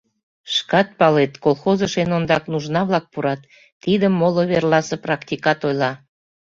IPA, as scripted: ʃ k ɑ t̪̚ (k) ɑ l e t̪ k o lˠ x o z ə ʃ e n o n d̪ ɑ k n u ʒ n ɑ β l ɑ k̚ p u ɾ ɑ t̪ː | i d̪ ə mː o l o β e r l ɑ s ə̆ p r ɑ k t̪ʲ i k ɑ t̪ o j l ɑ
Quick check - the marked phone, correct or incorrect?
incorrect